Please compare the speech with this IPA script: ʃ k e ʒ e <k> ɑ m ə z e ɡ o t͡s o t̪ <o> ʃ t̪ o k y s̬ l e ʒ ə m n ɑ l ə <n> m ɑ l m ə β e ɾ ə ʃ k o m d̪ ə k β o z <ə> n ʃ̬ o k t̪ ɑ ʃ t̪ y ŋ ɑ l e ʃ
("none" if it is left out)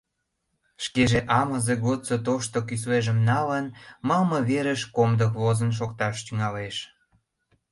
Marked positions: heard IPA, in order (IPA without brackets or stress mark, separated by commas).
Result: ʔ, o, n, ə